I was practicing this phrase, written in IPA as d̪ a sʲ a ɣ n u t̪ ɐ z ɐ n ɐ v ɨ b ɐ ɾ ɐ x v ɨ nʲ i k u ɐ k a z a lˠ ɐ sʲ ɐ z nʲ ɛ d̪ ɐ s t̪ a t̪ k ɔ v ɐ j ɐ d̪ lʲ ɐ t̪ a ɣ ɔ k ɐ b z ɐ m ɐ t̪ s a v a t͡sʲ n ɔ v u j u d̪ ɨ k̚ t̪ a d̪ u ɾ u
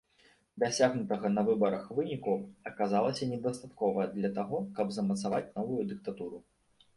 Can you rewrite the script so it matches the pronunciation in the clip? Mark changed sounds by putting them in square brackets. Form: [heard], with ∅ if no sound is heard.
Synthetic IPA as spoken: d̪ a sʲ a ɣ n u t̪ ɐ [ɣ] ɐ n ɐ v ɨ b ɐ ɾ ɐ x v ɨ nʲ i k u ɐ k a z a lˠ ɐ sʲ ɐ [∅] nʲ ɛ d̪ ɐ s t̪ a t̪ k ɔ v ɐ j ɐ d̪ lʲ ɐ t̪ a ɣ ɔ k ɐ b z ɐ m ɐ t̪ s a v a t͡sʲ n ɔ v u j u d̪ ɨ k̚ t̪ a [t̪] u ɾ u